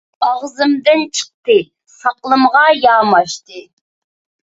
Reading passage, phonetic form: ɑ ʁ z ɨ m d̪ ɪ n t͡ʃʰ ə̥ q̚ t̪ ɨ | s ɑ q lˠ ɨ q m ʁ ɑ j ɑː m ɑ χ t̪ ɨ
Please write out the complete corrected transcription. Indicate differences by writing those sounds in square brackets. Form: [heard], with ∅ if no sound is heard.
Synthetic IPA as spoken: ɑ ʁ z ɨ m d̪ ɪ n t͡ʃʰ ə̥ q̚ t̪ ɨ | s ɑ q lˠ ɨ [∅] m ʁ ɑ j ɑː m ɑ [ʃ] t̪ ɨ